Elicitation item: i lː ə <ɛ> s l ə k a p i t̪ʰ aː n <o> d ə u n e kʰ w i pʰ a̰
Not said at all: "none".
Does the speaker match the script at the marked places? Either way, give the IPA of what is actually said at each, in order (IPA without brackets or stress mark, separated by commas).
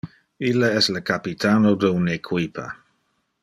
ɛ, o